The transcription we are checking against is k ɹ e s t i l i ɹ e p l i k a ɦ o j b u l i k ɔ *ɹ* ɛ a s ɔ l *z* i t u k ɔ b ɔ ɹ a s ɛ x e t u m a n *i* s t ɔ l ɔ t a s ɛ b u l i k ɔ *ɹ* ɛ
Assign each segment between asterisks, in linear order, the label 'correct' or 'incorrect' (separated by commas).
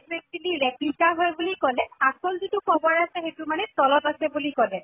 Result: incorrect, correct, incorrect, incorrect